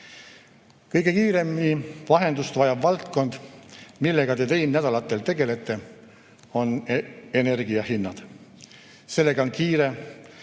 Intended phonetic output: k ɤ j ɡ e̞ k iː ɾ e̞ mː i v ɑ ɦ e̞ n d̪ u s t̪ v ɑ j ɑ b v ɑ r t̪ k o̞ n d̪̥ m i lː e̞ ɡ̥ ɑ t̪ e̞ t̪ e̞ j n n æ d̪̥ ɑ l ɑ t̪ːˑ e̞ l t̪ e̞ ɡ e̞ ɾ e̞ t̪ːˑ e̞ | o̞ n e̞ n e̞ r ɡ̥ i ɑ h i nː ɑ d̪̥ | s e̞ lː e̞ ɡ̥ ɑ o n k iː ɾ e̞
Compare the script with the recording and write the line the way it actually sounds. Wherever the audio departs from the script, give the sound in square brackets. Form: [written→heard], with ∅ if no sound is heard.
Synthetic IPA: k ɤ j ɡ e̞ k iː ɾ e̞ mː i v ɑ ɦ e̞ n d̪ u s t̪ v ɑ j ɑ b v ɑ [r→l] t̪ k o̞ n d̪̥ m i lː e̞ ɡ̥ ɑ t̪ e̞ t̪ e̞ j n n æ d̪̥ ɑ l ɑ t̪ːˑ e̞ l t̪ e̞ ɡ e̞ [ɾ→l] e̞ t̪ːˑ e̞ | o̞ n e̞ n e̞ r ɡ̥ i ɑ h i nː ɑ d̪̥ | s e̞ lː e̞ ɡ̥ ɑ o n k iː ɾ e̞